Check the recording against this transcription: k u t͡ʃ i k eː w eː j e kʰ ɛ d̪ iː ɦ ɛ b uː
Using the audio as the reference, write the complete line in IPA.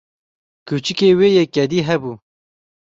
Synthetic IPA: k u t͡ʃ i k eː w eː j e k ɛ d̪ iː ɦ ɛ b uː